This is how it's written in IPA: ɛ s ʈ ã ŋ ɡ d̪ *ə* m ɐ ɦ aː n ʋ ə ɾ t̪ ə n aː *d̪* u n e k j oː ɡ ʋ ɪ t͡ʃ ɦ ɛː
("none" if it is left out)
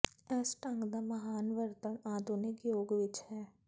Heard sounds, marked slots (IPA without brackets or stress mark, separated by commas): a, d̪